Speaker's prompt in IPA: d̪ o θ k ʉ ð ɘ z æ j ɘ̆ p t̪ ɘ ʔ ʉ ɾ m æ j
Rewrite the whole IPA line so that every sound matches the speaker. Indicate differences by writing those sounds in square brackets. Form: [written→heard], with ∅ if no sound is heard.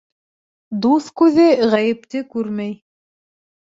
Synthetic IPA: d̪ [o→u] θ k ʉ ð ɘ [z→ʁ] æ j ɘ̆ p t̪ ɘ [ʔ→k] ʉ ɾ m æ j